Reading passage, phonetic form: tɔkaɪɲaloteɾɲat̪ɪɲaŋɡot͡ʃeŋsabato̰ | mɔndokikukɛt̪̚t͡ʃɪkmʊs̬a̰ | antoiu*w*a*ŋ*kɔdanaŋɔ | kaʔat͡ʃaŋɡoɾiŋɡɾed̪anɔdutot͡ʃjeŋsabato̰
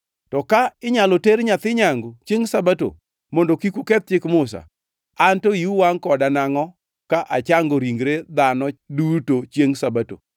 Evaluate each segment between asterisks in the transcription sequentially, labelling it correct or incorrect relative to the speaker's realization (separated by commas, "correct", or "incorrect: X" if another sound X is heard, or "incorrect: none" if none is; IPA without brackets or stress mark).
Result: correct, correct